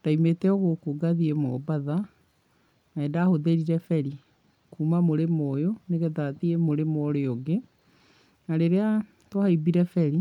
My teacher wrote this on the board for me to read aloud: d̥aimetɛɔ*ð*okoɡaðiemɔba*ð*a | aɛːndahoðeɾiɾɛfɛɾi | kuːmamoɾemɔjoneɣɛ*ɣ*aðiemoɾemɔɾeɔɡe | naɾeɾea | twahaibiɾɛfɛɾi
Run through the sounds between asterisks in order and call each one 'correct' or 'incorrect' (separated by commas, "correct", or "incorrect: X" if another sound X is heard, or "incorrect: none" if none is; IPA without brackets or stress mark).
incorrect: ɣ, correct, incorrect: ð